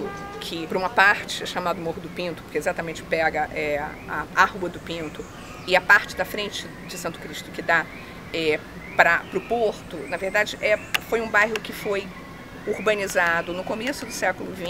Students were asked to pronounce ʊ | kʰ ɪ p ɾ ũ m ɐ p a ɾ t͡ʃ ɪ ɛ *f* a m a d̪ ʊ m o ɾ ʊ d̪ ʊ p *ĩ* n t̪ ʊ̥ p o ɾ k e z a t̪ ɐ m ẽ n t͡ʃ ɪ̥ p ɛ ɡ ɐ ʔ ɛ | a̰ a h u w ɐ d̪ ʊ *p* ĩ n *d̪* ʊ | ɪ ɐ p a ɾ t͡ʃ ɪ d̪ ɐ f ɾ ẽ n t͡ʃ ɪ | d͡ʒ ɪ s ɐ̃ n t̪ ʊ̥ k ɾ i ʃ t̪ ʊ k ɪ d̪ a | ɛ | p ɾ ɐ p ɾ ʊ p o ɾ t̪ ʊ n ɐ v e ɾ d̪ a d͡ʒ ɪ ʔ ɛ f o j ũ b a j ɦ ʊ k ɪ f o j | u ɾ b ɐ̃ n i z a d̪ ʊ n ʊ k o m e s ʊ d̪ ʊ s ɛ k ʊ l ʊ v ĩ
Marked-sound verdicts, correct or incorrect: incorrect: ʃ, correct, correct, incorrect: t̪

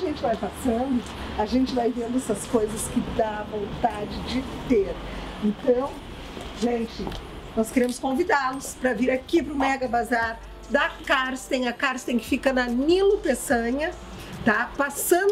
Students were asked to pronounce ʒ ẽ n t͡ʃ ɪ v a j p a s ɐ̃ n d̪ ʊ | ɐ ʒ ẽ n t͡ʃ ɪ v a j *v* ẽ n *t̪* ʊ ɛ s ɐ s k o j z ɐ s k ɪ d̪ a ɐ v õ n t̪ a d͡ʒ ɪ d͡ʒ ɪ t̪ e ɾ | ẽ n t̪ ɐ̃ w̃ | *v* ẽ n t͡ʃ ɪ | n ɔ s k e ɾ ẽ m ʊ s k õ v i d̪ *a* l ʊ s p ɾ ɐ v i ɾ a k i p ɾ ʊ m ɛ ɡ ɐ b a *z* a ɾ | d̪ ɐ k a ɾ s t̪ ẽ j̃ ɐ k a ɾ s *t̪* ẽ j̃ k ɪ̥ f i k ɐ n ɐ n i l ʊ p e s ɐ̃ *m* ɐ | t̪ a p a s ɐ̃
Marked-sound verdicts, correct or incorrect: correct, incorrect: d̪, incorrect: ʒ, correct, correct, correct, incorrect: ɲ

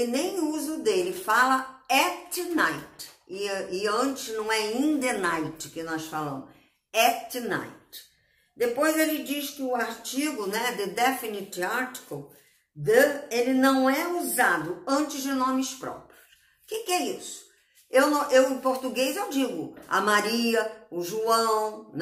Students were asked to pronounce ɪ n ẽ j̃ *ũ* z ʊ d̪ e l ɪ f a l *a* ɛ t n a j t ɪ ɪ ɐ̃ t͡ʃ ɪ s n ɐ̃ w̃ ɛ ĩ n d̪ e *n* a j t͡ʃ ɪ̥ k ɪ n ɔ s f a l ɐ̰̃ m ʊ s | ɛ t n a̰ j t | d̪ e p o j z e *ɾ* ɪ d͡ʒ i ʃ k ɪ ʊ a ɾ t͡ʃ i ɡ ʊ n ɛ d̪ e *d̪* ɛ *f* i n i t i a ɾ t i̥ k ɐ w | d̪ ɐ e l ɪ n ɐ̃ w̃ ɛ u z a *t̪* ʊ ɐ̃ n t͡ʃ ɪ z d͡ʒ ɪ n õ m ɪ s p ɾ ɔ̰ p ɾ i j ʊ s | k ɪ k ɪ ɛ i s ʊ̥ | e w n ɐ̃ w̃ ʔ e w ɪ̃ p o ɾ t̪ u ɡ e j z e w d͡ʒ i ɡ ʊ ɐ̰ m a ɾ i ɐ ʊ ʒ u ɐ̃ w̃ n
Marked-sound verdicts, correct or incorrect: incorrect: u, incorrect: ɐ, correct, incorrect: l, correct, correct, incorrect: d̪

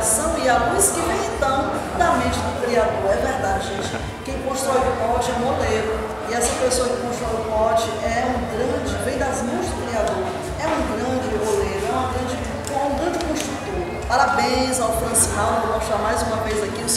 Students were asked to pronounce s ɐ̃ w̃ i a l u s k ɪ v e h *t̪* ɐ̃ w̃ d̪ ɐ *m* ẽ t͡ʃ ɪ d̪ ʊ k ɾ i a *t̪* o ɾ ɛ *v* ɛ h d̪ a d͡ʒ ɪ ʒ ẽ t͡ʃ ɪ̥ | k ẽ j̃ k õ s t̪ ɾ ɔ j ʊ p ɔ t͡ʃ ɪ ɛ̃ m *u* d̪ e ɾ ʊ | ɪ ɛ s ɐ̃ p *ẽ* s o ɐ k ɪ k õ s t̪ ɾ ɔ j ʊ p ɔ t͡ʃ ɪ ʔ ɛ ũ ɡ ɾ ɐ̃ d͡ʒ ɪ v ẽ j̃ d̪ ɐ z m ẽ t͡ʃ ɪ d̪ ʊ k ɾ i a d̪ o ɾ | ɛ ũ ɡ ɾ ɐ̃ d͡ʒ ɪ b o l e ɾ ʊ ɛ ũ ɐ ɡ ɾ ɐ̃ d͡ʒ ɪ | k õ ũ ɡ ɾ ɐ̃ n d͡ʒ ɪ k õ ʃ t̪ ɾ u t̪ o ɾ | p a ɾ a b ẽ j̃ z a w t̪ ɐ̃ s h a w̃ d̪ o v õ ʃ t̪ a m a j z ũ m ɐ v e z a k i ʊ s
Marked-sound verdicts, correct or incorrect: correct, correct, incorrect: d̪, correct, incorrect: o, incorrect: e

